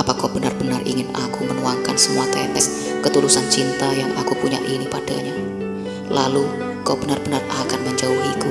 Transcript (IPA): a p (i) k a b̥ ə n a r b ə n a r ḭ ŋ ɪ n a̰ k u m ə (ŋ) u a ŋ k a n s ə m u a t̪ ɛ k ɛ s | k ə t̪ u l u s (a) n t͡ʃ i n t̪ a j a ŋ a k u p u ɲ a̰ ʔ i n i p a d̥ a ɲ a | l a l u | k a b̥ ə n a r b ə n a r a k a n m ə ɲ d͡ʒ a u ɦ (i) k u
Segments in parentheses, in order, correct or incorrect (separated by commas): incorrect, incorrect, correct, correct